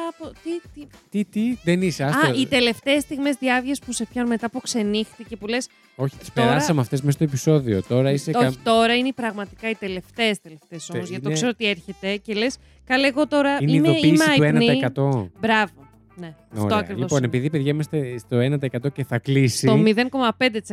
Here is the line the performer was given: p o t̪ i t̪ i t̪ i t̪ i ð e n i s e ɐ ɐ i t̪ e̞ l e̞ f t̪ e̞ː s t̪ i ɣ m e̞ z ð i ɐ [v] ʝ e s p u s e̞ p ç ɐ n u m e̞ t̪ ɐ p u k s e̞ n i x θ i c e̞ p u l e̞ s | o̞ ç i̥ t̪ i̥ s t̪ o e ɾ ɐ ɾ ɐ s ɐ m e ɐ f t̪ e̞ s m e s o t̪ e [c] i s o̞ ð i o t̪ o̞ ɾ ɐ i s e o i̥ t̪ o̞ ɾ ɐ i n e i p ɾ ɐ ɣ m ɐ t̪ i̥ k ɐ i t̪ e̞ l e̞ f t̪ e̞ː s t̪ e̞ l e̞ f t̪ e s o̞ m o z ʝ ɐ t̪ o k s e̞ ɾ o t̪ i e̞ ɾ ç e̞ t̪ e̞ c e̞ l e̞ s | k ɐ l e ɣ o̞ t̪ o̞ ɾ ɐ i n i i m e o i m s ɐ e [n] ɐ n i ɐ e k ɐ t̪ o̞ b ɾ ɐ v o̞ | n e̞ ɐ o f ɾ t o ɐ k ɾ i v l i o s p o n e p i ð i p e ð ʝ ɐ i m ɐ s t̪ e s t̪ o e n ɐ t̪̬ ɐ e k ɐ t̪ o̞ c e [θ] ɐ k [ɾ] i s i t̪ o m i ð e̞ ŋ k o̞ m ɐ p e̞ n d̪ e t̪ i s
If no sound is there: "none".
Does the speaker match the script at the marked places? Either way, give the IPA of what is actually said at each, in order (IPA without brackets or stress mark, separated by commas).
v, p, n, θ, l